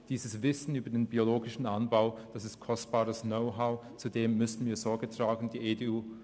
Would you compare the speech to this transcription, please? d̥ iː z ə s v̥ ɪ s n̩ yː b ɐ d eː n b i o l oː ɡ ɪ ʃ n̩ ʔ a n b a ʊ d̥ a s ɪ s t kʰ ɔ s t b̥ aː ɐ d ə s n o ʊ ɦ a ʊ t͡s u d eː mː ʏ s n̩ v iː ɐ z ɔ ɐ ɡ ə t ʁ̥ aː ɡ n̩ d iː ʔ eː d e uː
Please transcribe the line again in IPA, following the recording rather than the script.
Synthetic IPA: d̥ iː z ə s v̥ ɪ s n̩ yː b ɐ d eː n b i o l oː ɡ ɪ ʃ n̩ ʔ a n b a ʊ d̥ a s ɪ s t kʰ ɔ s t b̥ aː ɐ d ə s n o ʊ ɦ a ʊ t͡s u d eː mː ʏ s n̩ v iː ɐ z ɔ ɐ ɡ ə t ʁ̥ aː ɡ n̩ d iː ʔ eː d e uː